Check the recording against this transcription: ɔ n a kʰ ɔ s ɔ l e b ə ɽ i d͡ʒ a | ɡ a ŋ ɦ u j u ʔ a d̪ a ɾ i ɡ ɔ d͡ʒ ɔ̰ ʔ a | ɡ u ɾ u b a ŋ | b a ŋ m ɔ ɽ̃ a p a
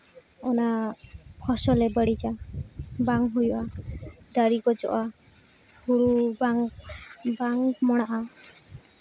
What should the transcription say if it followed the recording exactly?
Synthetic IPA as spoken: ɔ n a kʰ ɔ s ɔ l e b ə ɽ i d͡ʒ a | b a ŋ ɦ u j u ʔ a d̪ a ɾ i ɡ ɔ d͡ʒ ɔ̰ ʔ a | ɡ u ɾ u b a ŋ | b a ŋ m ɔ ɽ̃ a ʔ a